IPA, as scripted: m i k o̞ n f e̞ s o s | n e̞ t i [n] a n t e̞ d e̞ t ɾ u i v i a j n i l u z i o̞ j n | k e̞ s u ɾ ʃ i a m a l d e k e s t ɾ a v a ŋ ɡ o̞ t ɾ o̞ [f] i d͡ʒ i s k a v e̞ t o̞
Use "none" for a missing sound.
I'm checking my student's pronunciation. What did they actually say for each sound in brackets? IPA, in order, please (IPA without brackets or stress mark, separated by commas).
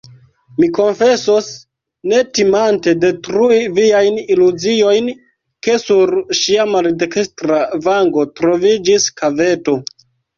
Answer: m, v